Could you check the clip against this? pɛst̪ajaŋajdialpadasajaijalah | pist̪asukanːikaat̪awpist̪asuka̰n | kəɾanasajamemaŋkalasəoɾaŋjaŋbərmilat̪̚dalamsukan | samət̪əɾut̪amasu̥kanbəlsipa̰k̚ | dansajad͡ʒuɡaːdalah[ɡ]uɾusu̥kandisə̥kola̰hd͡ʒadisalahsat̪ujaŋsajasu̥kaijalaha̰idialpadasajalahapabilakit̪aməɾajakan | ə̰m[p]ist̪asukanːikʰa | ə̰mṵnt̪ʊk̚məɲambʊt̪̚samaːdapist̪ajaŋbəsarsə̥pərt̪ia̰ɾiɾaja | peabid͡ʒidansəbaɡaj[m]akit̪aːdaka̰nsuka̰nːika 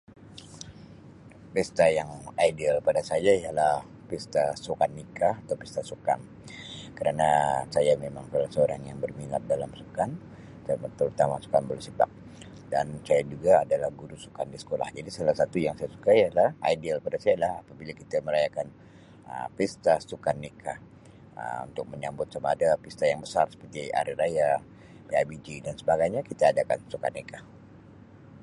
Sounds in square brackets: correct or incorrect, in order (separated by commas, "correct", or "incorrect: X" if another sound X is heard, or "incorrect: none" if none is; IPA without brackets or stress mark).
correct, correct, incorrect: ɲ